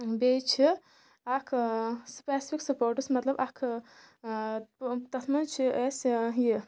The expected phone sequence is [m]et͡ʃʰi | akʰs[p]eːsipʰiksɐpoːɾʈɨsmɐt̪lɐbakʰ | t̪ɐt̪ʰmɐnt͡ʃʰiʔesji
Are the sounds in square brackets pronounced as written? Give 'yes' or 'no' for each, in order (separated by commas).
no, yes